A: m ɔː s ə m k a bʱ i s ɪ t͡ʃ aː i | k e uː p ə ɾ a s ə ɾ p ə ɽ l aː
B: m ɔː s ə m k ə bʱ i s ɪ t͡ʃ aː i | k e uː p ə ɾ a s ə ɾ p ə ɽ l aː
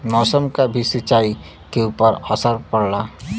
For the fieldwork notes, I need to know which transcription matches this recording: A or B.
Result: A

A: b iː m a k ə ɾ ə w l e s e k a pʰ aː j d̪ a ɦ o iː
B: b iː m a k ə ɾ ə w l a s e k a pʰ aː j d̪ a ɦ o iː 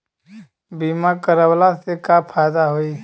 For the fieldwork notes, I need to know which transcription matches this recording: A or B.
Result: B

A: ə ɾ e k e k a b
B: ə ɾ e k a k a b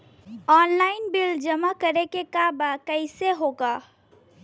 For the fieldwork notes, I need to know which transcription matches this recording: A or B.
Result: A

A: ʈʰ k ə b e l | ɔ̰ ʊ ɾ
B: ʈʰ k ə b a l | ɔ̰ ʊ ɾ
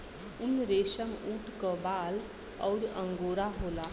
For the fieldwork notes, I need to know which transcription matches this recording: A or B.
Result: B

